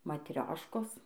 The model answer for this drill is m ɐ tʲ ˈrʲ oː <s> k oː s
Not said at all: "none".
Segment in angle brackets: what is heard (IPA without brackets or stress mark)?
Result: ʃ